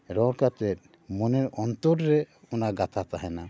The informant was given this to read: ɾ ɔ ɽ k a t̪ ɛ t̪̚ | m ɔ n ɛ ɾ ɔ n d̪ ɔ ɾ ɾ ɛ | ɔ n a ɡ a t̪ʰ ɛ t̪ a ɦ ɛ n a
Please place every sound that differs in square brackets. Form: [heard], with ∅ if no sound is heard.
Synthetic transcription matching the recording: ɾ ɔ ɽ k a t̪ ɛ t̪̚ | m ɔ n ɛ ɾ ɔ n [t̪] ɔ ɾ ɾ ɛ | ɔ n a ɡ a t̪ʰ [a] t̪ a ɦ ɛ n a